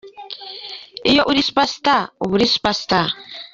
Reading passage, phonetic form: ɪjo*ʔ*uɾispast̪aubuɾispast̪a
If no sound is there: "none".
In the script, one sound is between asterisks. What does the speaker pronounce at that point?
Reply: ʔ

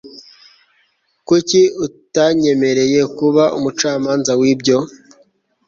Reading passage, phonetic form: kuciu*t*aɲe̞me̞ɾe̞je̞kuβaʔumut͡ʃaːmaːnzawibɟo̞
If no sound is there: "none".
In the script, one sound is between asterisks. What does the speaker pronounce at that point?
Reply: t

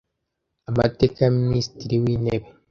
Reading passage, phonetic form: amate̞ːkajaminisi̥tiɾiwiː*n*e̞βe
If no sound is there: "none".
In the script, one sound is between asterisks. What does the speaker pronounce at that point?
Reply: n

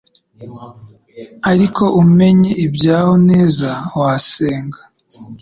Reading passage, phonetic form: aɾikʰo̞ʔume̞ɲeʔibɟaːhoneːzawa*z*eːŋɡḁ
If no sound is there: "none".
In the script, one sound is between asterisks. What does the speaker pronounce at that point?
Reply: s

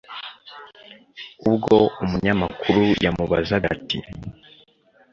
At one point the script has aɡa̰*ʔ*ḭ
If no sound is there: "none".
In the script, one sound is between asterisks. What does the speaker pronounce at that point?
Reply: t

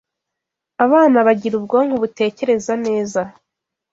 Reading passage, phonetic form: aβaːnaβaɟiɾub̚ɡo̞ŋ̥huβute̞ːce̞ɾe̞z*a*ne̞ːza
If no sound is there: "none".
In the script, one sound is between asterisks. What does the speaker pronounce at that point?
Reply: a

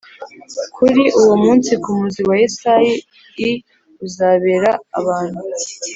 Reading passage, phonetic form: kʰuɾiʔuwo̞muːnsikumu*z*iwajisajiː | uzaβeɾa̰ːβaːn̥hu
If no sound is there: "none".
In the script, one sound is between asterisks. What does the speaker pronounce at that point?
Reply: z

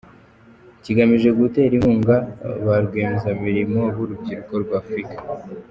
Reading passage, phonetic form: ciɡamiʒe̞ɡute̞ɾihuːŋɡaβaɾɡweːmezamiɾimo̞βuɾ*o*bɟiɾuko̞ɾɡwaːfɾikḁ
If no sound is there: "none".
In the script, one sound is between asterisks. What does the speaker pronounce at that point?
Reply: u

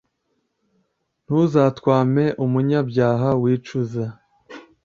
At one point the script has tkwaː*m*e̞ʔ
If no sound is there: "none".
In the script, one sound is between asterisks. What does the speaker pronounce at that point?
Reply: m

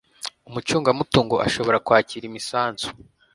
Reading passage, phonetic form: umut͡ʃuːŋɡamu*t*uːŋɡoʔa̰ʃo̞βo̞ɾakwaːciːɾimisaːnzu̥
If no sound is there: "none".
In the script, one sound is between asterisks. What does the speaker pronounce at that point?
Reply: t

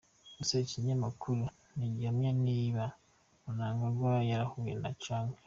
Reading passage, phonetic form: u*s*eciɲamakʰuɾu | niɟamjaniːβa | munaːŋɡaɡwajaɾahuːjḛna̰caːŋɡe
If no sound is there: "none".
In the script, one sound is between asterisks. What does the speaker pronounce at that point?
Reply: s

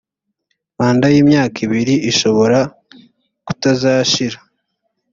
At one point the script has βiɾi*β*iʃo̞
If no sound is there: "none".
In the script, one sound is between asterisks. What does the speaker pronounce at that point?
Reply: none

